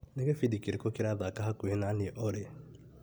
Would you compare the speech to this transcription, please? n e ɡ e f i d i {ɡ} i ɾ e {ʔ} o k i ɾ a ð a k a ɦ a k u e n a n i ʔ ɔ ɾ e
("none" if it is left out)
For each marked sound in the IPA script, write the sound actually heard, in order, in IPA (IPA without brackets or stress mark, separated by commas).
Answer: k, k